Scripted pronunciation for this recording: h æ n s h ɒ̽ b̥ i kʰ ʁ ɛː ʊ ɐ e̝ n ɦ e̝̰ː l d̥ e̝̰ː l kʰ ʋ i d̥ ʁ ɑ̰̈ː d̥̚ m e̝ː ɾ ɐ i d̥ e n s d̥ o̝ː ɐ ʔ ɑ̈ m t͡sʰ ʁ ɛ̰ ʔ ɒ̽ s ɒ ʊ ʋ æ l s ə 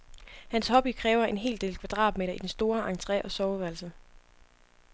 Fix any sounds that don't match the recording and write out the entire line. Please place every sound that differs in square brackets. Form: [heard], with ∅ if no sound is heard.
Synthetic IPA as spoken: h æ n s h ɒ̽ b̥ i kʰ ʁ ɛː ʊ ɐ e̝ n ɦ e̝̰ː l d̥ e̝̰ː l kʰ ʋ [æ] d̥ ʁ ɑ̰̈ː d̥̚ m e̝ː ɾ ɐ i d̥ e n s d̥ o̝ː ɐ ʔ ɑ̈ [ŋ] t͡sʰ ʁ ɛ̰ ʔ ɒ̽ s ɒ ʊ ʋ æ l s ə